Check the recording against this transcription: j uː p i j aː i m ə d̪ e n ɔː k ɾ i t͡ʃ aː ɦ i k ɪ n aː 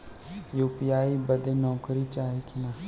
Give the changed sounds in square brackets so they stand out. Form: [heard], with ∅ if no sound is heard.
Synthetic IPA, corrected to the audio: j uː p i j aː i [b] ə d̪ e n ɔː k ɾ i t͡ʃ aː ɦ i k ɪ n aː